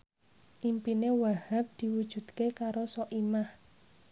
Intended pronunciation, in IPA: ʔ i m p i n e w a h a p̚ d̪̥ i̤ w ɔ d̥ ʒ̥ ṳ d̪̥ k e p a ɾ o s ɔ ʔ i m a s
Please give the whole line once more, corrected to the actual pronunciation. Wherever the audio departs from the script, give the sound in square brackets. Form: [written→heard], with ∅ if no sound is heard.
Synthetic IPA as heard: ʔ i m p i n e w a h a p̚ d̪̥ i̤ w [ɔ→u] d̥ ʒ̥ ṳ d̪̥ k e [p→k] a ɾ o s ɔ ʔ i m a [s→h]